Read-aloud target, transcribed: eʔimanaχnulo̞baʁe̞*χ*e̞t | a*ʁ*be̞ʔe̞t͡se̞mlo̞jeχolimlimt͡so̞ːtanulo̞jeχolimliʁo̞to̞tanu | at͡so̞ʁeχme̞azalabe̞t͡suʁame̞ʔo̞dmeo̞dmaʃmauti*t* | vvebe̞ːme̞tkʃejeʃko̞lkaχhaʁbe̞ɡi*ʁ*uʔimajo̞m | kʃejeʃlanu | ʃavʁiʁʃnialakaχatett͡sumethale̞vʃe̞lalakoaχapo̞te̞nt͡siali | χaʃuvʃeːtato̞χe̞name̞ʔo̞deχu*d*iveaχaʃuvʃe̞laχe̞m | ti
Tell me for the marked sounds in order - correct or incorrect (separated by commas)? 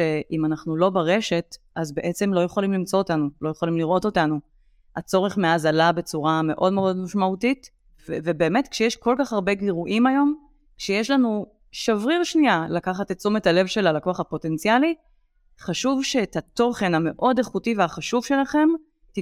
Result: incorrect, incorrect, correct, correct, incorrect